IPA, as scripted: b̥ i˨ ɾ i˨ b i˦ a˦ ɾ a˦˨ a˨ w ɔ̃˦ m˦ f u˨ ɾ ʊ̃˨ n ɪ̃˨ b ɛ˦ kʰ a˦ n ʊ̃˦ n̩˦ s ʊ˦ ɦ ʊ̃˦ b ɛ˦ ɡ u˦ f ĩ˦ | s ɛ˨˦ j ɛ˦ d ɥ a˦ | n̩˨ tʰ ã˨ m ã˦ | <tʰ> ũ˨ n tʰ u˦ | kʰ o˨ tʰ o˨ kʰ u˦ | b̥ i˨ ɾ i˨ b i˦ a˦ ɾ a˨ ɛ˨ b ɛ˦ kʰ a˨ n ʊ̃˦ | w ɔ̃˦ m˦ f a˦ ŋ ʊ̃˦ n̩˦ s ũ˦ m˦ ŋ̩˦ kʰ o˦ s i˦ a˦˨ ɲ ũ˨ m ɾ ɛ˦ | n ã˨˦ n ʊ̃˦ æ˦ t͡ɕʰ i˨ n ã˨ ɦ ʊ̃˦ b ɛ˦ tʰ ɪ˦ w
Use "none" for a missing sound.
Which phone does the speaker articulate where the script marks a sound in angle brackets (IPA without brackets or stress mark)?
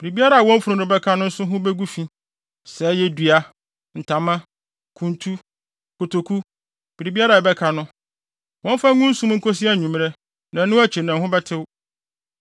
kʰ